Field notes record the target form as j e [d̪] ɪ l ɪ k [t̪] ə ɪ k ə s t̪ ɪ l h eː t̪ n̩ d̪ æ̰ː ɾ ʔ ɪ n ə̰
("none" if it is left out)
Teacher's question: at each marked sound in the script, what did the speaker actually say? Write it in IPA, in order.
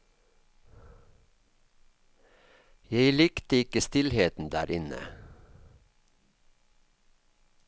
none, t̪

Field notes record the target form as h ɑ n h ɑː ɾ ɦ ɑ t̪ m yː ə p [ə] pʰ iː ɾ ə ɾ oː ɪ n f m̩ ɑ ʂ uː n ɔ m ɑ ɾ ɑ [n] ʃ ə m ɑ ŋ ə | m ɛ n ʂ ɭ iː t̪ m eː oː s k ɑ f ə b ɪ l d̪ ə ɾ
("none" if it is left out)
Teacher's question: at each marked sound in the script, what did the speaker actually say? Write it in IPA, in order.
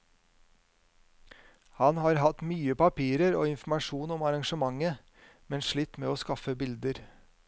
ɑ, ŋ

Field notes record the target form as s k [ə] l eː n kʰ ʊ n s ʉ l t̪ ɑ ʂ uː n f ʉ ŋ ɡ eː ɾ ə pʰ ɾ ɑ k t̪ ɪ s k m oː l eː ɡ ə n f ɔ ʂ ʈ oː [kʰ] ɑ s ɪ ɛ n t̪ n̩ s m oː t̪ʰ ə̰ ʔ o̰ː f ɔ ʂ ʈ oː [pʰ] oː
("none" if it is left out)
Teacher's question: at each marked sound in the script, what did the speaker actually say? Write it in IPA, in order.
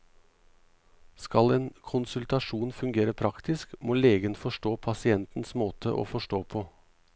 ɑ, pʰ, pʰ

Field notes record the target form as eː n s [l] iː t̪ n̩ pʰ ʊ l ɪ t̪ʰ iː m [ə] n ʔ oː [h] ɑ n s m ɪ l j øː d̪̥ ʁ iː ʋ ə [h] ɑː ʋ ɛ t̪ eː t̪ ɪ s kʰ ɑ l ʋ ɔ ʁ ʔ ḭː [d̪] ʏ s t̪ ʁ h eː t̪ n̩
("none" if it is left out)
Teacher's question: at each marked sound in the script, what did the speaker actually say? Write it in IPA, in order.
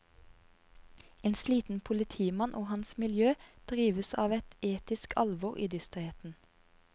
l, ɑ, h, s, d̪

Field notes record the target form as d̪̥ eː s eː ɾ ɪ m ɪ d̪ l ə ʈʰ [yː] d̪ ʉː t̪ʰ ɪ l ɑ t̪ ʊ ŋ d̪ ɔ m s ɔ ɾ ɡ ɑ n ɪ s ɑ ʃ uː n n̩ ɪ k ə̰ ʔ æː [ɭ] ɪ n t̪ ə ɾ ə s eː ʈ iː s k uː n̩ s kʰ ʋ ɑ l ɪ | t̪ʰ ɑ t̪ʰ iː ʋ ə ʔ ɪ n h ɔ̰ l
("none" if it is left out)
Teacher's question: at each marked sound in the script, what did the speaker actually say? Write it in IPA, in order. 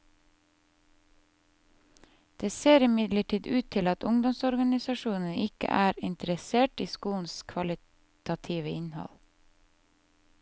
iː, ɾ

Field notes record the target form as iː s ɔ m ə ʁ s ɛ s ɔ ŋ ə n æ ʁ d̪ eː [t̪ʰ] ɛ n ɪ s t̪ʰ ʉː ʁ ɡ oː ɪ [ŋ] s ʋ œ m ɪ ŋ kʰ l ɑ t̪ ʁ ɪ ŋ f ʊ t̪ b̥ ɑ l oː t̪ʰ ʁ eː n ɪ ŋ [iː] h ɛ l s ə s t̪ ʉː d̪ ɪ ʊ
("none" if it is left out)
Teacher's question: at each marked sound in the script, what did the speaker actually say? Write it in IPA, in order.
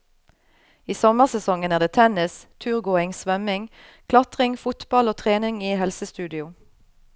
t̪ʰ, ŋ, iː

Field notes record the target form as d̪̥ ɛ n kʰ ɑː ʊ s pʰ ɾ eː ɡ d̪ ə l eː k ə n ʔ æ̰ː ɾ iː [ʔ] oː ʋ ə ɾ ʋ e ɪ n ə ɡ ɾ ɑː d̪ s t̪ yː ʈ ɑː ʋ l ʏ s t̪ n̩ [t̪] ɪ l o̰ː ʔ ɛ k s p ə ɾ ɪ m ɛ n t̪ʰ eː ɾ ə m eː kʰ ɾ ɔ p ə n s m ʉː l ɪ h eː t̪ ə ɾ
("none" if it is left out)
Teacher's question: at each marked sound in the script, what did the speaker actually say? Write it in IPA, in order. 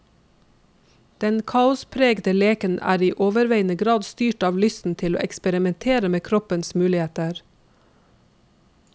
ʔ, t̪ʰ

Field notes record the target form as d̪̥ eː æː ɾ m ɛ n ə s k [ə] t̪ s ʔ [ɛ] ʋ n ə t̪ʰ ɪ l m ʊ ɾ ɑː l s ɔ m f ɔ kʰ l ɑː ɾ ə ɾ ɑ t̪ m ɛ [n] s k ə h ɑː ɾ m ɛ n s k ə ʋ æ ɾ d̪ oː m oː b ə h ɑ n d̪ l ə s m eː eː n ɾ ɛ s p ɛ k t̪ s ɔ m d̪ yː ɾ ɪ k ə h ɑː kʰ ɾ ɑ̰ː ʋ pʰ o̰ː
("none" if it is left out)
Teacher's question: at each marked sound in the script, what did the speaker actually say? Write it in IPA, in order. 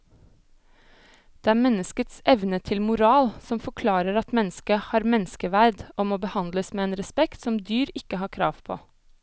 ə, ɛ, n

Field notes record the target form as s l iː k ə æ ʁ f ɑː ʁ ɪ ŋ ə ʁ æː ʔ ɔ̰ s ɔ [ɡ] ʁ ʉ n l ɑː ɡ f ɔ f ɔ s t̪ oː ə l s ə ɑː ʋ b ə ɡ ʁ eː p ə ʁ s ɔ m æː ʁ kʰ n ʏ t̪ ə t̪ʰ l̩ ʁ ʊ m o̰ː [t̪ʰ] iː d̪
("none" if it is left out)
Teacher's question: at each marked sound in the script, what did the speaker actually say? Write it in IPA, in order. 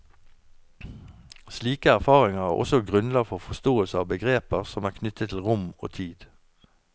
ɡ, t̪ʰ

